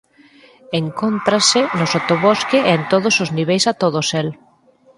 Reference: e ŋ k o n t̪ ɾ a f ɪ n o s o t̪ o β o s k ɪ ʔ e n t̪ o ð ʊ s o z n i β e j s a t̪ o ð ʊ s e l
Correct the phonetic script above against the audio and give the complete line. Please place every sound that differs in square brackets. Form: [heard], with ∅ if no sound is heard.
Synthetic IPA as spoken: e ŋ k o n t̪ ɾ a [s] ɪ n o s o t̪ o β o s k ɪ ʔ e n t̪ o ð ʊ s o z n i β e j s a t̪ o ð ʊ s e l